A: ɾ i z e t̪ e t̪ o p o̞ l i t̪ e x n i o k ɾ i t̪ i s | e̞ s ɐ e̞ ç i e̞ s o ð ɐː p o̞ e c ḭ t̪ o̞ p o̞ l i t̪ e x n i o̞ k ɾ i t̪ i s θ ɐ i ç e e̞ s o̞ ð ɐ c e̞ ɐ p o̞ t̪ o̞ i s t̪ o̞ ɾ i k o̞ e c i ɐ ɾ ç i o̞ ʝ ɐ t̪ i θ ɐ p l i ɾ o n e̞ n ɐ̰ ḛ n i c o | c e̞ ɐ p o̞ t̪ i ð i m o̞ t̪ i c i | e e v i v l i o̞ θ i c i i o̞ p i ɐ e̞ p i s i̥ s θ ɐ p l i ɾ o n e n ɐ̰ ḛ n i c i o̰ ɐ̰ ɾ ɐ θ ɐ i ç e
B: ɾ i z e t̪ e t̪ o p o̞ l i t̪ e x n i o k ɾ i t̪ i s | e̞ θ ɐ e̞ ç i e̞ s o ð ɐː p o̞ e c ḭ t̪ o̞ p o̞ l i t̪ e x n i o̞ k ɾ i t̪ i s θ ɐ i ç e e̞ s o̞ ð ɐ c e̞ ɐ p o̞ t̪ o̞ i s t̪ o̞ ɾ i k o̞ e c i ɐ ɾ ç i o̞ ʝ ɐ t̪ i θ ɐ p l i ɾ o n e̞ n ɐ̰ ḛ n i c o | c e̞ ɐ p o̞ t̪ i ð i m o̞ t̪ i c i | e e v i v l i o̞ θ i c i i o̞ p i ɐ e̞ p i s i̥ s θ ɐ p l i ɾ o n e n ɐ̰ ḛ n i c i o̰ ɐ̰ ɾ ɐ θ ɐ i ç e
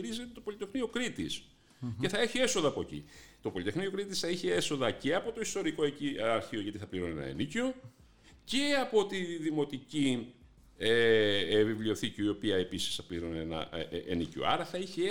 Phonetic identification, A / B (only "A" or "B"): B